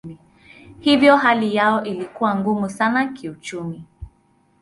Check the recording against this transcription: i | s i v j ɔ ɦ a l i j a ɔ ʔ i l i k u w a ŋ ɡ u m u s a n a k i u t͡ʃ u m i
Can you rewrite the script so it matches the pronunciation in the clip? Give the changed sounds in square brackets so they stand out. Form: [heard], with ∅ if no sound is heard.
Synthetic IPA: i | [h] i v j ɔ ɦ a l i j a ɔ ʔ i l i k u w a ŋ ɡ u m u s a n a k i u t͡ʃ u m i